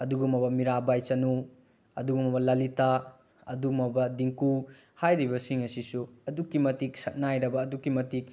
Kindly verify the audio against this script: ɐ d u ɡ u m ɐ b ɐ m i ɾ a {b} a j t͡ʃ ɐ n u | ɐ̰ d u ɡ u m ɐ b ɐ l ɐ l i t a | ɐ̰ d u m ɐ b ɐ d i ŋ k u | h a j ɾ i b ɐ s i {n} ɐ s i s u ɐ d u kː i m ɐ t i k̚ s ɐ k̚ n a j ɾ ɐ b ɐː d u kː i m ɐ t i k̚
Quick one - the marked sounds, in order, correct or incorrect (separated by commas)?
correct, incorrect